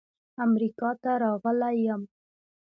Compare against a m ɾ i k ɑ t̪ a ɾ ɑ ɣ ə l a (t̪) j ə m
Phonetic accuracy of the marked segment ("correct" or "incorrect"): incorrect